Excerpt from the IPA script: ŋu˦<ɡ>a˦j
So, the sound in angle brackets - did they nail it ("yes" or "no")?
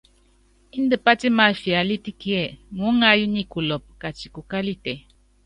no